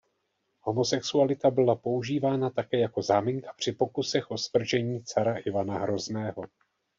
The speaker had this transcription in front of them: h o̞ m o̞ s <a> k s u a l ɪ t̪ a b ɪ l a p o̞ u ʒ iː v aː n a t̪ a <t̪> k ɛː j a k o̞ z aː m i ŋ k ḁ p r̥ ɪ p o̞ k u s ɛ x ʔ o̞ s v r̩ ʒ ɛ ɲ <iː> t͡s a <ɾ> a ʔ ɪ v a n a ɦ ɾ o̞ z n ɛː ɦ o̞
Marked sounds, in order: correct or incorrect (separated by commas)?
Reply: incorrect, incorrect, correct, correct